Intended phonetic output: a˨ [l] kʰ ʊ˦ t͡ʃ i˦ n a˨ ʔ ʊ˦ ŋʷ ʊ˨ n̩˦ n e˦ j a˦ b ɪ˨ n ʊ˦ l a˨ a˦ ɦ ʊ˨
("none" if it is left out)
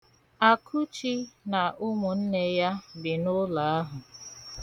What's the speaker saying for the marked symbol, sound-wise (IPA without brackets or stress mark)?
none